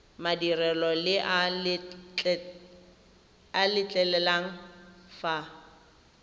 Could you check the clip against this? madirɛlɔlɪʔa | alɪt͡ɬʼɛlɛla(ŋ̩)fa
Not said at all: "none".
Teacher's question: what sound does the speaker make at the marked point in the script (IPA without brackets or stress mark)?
ŋ̩